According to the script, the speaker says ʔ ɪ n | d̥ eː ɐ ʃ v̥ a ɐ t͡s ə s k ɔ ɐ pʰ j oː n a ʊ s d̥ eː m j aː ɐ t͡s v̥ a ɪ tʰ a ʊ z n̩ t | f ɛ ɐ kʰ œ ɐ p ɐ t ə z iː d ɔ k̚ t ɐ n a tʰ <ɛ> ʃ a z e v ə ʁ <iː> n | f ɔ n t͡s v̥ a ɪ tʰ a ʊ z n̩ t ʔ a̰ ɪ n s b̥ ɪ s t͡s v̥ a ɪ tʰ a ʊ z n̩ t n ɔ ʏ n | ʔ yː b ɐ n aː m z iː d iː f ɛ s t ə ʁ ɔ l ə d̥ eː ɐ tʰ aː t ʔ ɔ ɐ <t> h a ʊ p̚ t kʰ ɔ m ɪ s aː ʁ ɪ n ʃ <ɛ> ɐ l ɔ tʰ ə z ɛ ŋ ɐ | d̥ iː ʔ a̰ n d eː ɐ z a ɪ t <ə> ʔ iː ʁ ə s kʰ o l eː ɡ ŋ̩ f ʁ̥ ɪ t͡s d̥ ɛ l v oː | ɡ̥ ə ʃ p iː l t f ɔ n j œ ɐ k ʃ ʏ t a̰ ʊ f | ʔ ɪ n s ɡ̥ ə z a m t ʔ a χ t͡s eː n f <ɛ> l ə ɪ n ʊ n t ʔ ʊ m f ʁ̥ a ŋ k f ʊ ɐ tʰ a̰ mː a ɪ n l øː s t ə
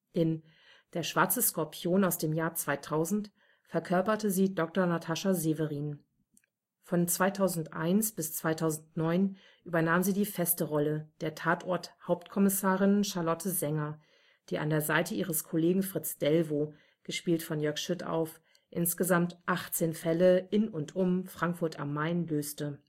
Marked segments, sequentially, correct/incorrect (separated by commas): incorrect, correct, correct, incorrect, correct, correct